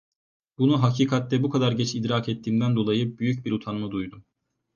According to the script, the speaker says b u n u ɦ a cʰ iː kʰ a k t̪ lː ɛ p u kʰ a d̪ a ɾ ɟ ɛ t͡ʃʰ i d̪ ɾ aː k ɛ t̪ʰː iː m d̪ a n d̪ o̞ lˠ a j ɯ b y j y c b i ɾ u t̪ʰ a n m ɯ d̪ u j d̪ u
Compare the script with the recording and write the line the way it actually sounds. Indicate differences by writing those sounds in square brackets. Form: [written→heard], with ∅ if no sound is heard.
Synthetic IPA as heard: b u n u ɦ a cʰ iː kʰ a [k→∅] t̪ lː ɛ [p→b] u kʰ a d̪ a ɾ ɟ ɛ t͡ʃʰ i d̪ ɾ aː k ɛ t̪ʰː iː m d̪ [a→æ] n d̪ o̞ lˠ a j ɯ b y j y c b i ɾ u t̪ʰ a n m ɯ d̪ u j d̪ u